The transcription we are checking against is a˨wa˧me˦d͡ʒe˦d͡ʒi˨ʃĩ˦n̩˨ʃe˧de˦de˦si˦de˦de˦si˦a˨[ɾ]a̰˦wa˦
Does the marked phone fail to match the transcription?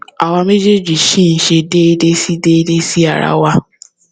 no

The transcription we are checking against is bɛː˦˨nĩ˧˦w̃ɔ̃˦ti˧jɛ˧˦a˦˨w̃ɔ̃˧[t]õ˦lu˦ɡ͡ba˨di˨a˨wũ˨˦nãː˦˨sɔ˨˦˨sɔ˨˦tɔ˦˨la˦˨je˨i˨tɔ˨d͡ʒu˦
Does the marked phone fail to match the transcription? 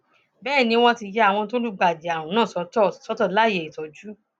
no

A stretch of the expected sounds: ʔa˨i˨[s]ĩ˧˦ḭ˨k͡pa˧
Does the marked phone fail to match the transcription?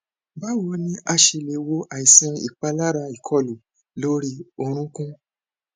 no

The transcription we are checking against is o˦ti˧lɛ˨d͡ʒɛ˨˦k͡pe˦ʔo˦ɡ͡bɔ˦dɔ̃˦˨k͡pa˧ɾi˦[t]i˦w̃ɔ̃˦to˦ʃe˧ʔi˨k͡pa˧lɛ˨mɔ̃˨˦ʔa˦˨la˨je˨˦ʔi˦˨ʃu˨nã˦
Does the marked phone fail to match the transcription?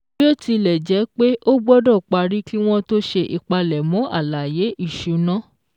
yes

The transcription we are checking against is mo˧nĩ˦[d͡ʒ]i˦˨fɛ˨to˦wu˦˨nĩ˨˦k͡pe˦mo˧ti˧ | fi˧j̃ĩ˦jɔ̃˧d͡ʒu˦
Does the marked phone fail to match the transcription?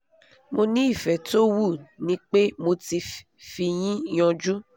yes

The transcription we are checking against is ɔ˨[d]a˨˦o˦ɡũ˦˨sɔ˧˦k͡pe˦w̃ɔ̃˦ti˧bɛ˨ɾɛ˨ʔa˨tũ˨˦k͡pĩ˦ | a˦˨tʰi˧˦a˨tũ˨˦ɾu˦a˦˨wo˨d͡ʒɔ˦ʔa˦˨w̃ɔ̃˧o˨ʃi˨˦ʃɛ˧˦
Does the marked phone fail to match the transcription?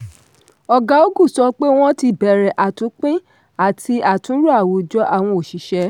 yes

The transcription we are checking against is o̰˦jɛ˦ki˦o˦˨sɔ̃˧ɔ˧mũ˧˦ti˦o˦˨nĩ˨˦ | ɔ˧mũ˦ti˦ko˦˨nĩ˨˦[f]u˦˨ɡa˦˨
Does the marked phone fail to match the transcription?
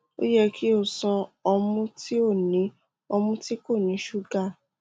yes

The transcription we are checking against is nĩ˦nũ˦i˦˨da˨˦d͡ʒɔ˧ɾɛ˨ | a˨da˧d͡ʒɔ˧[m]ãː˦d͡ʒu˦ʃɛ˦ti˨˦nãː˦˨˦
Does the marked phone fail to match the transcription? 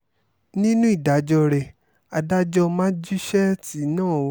no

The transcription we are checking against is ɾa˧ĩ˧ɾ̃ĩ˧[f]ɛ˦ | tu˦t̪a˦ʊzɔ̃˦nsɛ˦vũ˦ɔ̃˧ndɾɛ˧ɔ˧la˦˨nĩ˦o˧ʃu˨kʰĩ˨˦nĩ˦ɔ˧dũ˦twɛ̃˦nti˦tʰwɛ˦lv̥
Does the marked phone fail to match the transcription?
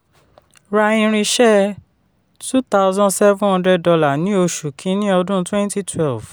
yes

